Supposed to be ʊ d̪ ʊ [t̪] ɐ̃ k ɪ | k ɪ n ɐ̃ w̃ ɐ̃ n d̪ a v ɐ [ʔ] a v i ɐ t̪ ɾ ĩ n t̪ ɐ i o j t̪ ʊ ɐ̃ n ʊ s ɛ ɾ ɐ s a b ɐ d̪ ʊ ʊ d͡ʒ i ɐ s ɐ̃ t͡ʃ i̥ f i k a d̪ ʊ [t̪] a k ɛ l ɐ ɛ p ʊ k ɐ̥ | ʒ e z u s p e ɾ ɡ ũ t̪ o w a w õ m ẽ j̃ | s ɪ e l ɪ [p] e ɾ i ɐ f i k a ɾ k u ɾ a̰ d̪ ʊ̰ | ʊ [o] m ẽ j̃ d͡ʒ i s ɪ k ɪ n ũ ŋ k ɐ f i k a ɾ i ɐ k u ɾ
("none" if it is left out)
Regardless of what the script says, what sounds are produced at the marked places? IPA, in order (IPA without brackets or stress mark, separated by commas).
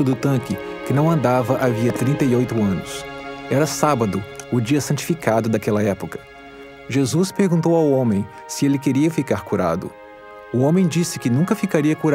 t̪, ʔ, d̪, k, õ